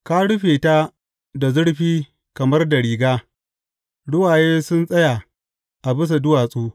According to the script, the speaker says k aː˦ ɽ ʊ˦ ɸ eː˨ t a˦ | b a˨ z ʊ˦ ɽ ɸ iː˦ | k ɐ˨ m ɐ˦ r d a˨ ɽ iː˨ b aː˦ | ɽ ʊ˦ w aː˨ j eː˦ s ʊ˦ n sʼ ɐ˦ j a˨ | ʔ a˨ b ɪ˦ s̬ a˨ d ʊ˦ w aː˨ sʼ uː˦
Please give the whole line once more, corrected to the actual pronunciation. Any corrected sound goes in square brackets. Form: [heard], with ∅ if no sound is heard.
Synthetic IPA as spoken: k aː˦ ɽ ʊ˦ ɸ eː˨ t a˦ | [d] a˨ z ʊ˦ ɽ ɸ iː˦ | k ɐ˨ m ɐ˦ r d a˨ ɽ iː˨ [ɡ] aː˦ | ɽ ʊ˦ w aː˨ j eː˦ s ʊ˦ n sʼ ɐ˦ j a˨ | ʔ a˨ b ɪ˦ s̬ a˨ d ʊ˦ w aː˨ sʼ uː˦